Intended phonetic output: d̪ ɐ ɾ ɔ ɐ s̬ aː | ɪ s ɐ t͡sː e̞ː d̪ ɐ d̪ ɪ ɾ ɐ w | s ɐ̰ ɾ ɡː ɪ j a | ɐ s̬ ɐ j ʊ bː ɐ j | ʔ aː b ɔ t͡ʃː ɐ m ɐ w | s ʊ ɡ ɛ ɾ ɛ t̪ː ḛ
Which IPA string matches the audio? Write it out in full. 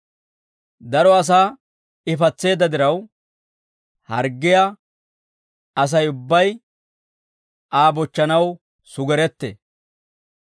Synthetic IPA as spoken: d̪ ɐ ɾ ɔ ɐ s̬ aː | ɪ f ɐ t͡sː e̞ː d̪ ɐ d̪ ɪ ɾ ɐ w | h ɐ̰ ɾ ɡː ɪ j a | ɐ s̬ ɐ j ʊ bː ɐ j | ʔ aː b ɔ t͡ʃː ɐ n ɐ w | s ʊ ɡ ɛ ɾ ɛ t̪ː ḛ